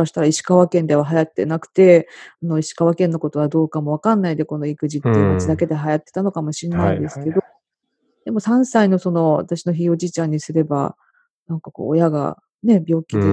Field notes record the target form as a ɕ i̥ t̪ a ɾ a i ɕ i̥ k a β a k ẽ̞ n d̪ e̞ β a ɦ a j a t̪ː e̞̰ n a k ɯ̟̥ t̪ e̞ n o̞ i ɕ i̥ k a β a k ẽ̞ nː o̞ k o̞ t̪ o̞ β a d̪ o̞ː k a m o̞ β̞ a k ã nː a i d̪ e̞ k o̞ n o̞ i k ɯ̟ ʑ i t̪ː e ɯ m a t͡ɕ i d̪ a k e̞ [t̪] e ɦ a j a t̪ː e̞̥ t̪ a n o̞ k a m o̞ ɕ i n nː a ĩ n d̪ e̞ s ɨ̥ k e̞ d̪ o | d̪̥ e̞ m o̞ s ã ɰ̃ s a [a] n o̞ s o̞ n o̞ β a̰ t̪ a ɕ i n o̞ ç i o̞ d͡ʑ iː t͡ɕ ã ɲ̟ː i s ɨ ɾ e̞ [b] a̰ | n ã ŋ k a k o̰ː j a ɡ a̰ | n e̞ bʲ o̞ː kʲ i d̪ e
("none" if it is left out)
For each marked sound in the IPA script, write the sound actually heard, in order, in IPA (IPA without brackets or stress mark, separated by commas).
d̪, i, b